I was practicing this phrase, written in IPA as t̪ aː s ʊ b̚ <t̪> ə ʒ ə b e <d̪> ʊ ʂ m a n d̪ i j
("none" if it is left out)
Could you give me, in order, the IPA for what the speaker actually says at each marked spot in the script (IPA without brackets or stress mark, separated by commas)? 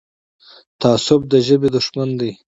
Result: d̪, d̪